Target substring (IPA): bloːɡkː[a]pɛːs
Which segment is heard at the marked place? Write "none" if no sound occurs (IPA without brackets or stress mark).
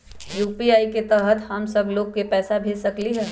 e